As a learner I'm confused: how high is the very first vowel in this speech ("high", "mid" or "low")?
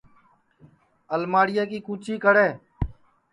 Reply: mid